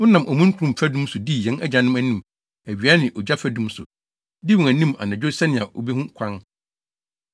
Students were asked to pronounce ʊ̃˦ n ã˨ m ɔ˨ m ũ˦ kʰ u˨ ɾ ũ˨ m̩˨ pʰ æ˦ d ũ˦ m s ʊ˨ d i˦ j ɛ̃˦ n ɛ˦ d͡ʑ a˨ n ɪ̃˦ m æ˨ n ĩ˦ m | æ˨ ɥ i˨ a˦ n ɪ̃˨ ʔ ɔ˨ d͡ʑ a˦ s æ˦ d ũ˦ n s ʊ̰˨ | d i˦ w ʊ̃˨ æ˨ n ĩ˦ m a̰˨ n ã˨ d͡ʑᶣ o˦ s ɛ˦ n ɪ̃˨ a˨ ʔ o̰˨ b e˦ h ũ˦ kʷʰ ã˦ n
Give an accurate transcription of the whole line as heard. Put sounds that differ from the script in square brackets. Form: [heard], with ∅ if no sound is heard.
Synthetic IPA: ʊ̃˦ n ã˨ m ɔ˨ m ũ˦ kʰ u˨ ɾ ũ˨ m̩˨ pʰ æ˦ d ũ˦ m s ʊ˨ d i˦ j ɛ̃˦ n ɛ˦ d͡ʑ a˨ n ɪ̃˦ m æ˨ n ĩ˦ m | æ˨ ɥ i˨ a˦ n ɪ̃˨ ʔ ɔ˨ d͡ʑ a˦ [f] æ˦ d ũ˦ [m] s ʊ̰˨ | d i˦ w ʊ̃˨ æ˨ n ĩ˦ m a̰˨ n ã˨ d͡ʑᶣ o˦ s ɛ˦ n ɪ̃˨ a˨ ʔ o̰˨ b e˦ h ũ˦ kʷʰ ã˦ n